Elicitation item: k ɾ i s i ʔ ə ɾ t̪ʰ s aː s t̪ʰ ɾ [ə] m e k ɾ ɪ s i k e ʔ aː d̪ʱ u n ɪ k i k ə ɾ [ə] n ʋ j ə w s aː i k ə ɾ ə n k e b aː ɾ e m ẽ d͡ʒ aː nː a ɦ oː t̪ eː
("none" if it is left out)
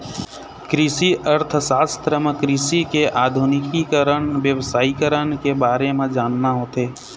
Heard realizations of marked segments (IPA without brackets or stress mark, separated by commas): ə, ə